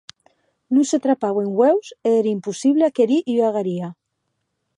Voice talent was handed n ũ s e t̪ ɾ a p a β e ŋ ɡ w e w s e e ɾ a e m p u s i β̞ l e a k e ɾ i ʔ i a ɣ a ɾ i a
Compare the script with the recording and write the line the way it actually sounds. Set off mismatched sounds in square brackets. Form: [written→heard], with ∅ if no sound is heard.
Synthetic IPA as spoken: n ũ s e t̪ ɾ a p a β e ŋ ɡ w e w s e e ɾ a [e→i] m p u s i β̞ l e a k e ɾ i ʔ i a ɣ a ɾ i a